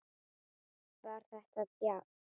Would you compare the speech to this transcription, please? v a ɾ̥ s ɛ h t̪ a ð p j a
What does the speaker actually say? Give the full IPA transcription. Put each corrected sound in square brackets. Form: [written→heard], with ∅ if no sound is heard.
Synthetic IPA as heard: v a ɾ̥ [s→θ] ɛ h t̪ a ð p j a